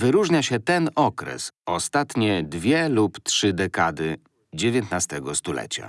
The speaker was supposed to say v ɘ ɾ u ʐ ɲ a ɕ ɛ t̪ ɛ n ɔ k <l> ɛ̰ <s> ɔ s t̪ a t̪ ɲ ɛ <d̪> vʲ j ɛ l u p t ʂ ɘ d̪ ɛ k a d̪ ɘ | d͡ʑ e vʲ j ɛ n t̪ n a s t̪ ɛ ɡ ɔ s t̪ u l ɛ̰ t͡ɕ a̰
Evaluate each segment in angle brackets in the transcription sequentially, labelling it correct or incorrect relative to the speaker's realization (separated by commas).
incorrect, correct, correct